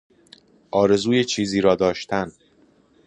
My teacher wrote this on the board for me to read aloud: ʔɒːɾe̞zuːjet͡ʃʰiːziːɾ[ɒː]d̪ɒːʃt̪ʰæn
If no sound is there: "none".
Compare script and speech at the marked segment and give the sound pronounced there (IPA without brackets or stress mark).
ɒː